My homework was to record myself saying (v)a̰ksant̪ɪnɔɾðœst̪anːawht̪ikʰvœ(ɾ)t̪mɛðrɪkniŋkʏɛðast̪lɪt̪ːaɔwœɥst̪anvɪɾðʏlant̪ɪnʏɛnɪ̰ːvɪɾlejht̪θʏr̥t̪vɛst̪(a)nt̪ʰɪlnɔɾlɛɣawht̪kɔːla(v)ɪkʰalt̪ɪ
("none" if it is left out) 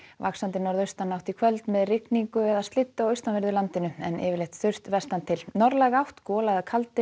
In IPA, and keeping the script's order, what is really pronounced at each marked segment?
v, l, a, ð

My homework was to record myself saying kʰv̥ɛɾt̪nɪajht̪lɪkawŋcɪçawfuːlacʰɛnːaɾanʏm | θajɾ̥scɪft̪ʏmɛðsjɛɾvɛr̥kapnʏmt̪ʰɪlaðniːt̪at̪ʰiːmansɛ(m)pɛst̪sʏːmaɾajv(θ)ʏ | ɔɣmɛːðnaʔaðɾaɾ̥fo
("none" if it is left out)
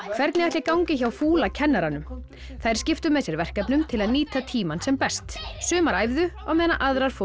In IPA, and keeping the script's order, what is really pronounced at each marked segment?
m, ð

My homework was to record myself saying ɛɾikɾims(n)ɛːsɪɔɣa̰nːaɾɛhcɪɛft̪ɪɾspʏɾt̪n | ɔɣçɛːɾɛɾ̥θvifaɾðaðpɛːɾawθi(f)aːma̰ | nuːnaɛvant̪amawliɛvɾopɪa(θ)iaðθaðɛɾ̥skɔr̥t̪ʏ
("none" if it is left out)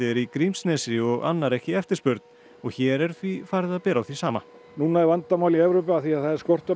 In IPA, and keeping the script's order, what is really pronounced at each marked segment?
n, s, θ

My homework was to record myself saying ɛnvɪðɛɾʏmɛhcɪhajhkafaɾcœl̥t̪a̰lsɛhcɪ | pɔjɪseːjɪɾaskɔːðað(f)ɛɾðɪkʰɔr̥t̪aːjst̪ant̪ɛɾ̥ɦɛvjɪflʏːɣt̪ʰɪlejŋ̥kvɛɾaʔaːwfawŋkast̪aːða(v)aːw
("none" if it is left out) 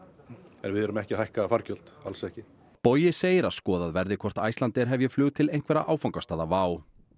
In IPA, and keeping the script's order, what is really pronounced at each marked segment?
v, v

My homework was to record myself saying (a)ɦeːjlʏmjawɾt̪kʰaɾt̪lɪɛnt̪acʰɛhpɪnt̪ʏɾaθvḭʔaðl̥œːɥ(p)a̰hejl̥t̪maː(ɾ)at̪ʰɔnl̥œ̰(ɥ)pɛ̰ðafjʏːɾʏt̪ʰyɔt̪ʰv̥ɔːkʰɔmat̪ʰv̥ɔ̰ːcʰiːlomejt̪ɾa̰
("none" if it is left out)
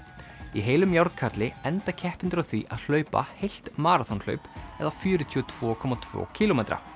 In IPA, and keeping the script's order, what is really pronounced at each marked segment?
i, p, ɾ, ɥ

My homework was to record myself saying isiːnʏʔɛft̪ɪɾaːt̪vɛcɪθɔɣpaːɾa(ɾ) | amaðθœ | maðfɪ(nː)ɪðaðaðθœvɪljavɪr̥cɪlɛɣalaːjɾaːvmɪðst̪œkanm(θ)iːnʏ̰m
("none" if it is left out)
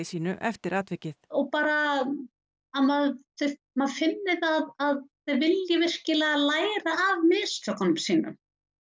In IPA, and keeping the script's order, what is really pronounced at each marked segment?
none, nː, s

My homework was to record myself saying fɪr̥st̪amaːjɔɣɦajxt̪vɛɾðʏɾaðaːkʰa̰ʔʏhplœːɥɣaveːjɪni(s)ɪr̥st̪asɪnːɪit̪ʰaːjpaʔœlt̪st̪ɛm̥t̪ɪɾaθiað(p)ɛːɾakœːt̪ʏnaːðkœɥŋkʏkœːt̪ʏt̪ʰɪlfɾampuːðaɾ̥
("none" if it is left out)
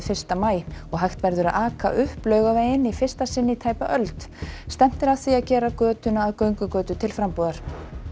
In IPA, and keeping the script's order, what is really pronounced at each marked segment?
f, c

